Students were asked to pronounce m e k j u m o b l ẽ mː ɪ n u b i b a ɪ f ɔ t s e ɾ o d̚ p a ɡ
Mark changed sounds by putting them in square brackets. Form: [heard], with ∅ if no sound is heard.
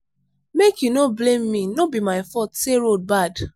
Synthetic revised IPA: m e k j u [n] o b l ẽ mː [i] n [o] b i [m] a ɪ f ɔ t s e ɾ o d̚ [b] a [d]